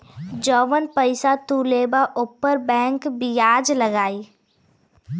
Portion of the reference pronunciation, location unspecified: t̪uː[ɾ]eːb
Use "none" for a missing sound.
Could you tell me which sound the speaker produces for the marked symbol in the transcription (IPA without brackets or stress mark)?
l